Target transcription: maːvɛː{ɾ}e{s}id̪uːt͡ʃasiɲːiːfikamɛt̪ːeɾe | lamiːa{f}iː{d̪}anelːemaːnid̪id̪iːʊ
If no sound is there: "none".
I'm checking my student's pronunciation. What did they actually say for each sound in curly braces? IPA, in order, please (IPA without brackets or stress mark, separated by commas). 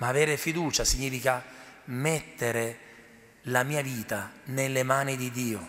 ɾ, f, v, t̪